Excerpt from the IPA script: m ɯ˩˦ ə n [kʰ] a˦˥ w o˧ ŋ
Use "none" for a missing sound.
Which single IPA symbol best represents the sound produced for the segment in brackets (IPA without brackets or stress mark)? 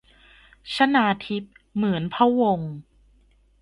pʰ